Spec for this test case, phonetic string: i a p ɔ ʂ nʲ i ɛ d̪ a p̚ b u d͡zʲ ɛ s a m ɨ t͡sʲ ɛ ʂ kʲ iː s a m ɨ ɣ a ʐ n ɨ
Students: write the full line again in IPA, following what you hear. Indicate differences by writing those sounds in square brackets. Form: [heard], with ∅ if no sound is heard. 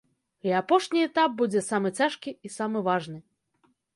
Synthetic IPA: i a p ɔ ʂ nʲ i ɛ [t̪] a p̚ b u d͡zʲ ɛ s a m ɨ t͡sʲ [a] ʂ kʲ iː s a m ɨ [v] a ʐ n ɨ

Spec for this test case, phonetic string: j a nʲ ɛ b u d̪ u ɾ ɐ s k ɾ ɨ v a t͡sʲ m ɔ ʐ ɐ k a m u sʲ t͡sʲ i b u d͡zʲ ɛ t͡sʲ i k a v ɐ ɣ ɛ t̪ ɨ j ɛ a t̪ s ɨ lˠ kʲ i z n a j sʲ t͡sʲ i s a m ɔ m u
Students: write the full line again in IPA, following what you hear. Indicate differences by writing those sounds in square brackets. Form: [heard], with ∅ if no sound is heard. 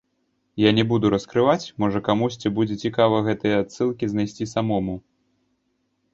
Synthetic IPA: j a nʲ ɛ b u d̪ u ɾ ɐ s k ɾ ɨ v a t͡sʲ m ɔ ʐ ɐ k a m u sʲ t͡sʲ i b u d͡zʲ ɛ t͡sʲ i k a v ɐ ɣ ɛ t̪ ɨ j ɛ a t̪ s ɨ lˠ kʲ i z n a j sʲ t͡sʲ i s a m ɔ m u

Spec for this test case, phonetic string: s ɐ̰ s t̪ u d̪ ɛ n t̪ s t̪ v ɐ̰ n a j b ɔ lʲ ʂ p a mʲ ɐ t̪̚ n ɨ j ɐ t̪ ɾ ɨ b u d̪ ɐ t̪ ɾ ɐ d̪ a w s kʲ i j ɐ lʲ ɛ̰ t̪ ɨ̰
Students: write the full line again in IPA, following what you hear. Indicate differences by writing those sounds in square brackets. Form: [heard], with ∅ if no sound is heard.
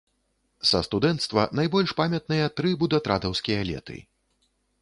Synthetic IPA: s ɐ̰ s t̪ u d̪ ɛ n t̪ s t̪ v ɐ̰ n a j b ɔ lʲ ʂ p a mʲ ɐ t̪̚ n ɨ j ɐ t̪ ɾ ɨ b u d̪ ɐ t̪ ɾ [a] d̪ [ɐ] w s kʲ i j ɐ lʲ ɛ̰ t̪ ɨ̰

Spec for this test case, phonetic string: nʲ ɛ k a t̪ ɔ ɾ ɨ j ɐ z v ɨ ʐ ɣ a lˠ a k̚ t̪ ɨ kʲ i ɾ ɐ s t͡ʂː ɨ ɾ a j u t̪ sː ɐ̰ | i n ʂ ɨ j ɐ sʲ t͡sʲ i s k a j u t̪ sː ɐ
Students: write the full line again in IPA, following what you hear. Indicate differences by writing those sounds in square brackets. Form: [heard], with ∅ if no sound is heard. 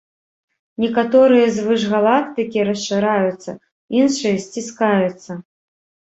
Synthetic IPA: nʲ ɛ k a t̪ ɔ ɾ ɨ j ɐ z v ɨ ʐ ɣ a lˠ a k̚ t̪ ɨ kʲ i ɾ ɐ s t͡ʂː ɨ ɾ a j u t̪ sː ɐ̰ | i n ʂ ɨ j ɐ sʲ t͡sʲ i s k a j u t̪ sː ɐ

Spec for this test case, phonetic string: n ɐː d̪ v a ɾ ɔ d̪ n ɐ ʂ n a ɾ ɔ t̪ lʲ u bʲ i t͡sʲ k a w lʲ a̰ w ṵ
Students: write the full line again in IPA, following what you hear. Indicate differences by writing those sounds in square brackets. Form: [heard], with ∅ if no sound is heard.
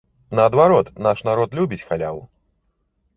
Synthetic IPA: n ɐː d̪ v a ɾ ɔ [t̪] n [a] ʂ n a ɾ ɔ t̪ lʲ u bʲ i t͡sʲ [x] a [∅] lʲ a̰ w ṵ

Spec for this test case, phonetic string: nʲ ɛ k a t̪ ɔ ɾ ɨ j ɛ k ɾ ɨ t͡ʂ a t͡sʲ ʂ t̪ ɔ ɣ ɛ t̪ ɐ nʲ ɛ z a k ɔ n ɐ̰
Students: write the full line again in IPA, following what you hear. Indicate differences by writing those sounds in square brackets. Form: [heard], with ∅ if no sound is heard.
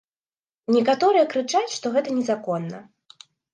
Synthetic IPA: nʲ ɛ k a t̪ ɔ ɾ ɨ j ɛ k ɾ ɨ t͡ʂ a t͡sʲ ʂ t̪ ɔ ɣ ɛ t̪ ɐ nʲ ɛ z a k ɔ [nː] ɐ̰

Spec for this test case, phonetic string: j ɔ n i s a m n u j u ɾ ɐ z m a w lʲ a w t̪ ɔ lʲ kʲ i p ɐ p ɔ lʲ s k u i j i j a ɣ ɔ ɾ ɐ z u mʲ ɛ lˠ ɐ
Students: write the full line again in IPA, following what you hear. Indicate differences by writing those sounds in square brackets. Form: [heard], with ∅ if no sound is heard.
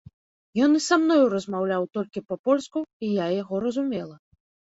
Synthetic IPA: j ɔ n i s a m n [ɔ] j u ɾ ɐ z m a w lʲ a w t̪ ɔ lʲ kʲ i p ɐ p ɔ lʲ s k u i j [a] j a ɣ ɔ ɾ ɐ z u mʲ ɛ lˠ ɐ

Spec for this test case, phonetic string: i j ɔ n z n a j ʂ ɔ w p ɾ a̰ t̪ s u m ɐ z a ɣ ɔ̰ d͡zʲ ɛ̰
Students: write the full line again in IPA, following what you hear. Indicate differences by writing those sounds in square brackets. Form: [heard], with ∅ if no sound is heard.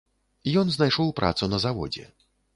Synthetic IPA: i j ɔ n z n a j ʂ ɔ w p ɾ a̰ t̪ s u [n] ɐ z a [v] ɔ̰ d͡zʲ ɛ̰

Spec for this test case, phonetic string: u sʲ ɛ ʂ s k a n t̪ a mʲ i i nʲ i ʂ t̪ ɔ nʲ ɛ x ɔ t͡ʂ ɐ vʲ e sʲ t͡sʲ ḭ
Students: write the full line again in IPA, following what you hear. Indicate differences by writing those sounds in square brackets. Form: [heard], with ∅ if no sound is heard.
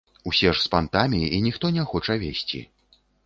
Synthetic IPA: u sʲ ɛ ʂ s [p] a n t̪ a mʲ i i nʲ i [x] t̪ ɔ nʲ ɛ x ɔ t͡ʂ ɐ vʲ e sʲ t͡sʲ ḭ

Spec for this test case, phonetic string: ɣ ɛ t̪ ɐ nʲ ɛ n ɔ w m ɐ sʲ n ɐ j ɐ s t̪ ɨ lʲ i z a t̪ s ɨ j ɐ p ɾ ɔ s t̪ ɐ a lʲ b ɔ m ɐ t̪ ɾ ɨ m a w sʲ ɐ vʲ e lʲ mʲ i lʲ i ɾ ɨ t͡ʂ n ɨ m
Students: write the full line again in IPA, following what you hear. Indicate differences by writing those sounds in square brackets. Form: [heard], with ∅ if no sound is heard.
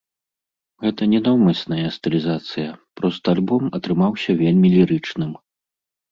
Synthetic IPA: ɣ ɛ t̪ ɐ nʲ ɛ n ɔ w m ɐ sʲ n ɐ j ɐ s t̪ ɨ lʲ i z a t̪ s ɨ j ɐ p ɾ ɔ s t̪ ɐ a lʲ b ɔ m ɐ t̪ ɾ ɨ m a w sʲ ɐ vʲ e lʲ mʲ i lʲ i ɾ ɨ t͡ʂ n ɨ m

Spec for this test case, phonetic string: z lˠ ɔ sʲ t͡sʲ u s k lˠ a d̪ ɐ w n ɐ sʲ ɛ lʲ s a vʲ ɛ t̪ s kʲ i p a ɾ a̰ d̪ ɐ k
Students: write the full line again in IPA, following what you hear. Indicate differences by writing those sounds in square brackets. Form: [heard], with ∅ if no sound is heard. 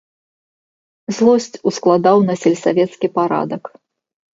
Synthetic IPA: z lˠ ɔ sʲ t͡sʲ u s k lˠ a d̪ [a] w n ɐ sʲ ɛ lʲ s a vʲ ɛ t̪ s kʲ i p a ɾ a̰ d̪ ɐ k

